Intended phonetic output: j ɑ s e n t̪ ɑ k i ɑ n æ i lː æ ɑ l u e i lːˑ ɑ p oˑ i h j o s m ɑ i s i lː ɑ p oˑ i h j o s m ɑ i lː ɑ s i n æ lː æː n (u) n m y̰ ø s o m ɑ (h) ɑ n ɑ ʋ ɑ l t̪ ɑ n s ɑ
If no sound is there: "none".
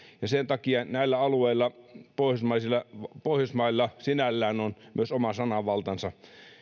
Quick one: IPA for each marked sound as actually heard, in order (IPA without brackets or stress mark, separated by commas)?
o, s